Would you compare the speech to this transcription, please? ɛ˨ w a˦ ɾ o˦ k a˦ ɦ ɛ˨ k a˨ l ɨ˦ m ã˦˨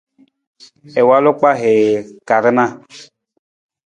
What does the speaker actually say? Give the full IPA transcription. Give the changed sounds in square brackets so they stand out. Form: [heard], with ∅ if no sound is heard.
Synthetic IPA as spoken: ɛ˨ w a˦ [l] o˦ [k͡p] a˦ ɦ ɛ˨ k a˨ [ɾ] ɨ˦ [n] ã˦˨